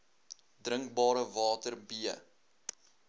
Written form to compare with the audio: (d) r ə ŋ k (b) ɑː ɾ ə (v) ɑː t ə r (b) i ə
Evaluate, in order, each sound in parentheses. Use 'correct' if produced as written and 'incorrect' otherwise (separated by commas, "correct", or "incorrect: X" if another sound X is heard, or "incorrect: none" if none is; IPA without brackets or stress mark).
correct, correct, correct, correct